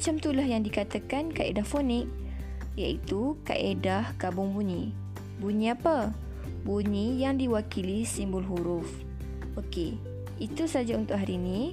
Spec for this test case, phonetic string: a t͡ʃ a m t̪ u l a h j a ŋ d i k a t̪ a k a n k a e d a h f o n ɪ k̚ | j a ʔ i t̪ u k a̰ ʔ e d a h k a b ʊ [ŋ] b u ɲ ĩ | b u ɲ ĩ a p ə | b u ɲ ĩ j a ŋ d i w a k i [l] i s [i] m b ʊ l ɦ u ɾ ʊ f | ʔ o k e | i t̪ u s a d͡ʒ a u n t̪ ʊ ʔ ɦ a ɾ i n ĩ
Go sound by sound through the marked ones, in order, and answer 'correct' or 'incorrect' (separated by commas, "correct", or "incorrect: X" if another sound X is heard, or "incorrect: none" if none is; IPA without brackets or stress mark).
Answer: correct, correct, correct